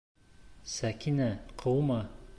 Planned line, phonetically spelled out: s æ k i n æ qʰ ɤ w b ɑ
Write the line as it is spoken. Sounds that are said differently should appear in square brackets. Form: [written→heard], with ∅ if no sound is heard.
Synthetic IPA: s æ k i n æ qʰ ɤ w [b→m] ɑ